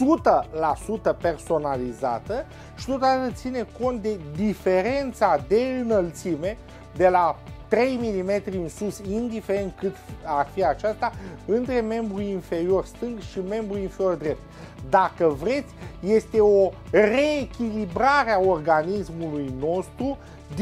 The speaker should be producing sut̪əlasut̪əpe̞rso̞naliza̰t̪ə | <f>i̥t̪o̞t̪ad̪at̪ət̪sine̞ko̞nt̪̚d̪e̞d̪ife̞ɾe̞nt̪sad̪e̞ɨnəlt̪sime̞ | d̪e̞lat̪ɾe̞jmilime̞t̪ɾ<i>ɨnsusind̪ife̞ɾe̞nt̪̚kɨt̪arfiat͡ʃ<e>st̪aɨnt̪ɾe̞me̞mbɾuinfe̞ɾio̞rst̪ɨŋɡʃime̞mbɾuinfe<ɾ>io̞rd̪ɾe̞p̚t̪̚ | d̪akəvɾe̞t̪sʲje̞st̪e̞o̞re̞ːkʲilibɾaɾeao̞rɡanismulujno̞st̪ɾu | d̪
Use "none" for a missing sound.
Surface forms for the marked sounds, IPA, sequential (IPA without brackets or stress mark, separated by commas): ʃ, i, a, ɾ